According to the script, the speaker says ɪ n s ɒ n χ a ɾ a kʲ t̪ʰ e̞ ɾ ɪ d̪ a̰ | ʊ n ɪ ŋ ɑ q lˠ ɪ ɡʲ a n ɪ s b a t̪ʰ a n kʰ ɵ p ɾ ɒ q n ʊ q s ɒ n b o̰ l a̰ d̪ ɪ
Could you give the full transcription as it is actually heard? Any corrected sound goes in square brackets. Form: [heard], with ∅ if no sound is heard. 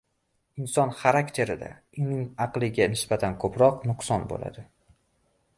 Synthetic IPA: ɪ n s ɒ n χ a ɾ a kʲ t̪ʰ e̞ ɾ ɪ d̪ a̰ | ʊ n ɪ ŋ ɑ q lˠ ɪ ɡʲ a n ɪ s b a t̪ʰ a n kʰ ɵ p ɾ ɒ q n ʊ q s ɒ n b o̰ l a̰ d̪ ɪ